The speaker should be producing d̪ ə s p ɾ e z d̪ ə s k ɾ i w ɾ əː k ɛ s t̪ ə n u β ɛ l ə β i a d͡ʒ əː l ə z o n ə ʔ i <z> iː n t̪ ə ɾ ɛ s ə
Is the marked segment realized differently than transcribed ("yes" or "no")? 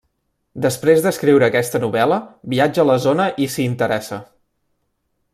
yes